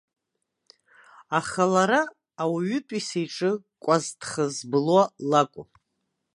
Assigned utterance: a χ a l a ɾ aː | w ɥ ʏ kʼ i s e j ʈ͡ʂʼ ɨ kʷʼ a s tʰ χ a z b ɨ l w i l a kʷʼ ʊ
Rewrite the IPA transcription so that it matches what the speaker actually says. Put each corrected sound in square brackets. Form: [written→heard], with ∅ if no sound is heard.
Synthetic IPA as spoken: a χ a l a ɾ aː | w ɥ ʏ [kʼ→tʼ] i s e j ʈ͡ʂʼ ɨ kʷʼ a [s→z] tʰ χ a z b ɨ l w [i→a] l a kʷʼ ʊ

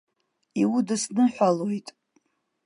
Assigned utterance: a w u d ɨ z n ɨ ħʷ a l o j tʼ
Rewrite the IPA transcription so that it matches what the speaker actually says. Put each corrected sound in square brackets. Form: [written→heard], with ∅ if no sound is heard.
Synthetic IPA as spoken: [a→i] w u d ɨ [z→s] n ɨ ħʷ a l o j tʼ

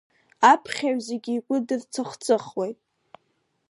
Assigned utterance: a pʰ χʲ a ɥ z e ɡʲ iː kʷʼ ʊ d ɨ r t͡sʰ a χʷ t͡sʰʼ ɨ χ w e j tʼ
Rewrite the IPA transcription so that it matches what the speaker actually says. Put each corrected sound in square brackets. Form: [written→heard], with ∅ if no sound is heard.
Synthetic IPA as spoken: a pʰ χʲ a ɥ z e ɡʲ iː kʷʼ ʊ d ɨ r t͡sʰ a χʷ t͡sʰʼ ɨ χ w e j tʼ

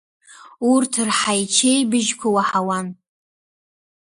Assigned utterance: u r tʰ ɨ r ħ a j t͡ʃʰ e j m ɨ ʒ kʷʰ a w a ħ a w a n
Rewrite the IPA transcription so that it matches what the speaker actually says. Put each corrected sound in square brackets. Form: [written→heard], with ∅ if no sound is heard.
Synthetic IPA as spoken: u r tʰ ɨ r ħ a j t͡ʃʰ e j [m→b] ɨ ʒ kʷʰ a w a ħ a w a n

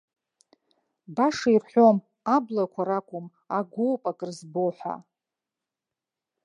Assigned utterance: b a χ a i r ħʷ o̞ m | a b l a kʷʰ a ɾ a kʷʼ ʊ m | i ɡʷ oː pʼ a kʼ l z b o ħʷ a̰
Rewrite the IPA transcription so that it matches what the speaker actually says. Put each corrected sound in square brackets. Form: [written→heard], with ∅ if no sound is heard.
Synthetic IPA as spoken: b a [χ→ʂ] a i r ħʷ o̞ m | a b l a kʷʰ a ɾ a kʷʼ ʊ m | [i→a] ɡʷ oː pʼ a kʼ [l→r] z b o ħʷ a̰

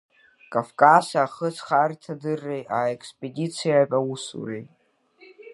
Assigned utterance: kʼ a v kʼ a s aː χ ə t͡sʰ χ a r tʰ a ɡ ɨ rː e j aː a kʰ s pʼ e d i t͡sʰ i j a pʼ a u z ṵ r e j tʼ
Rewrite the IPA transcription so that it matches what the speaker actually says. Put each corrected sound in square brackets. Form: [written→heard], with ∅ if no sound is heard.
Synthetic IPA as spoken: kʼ a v kʼ a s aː χ ə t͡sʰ χ a r tʰ a [ɡ→d] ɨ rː e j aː [a→e] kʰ s pʼ e d i t͡sʰ i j a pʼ a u [z→s] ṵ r e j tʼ

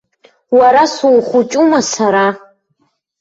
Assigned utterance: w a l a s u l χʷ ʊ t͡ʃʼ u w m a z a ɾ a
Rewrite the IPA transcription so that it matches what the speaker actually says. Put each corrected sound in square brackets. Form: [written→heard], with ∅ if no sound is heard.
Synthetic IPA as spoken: w a [l→ɾ] a s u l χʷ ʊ t͡ʃʼ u [w→∅] m a [z→s] a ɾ a

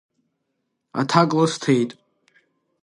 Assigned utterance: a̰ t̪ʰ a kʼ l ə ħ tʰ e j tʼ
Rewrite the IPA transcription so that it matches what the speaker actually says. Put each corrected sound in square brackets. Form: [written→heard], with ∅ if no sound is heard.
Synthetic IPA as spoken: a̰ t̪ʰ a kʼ l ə [ħ→s] tʰ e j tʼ

